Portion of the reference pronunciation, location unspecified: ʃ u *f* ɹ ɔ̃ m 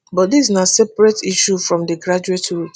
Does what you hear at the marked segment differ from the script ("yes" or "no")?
no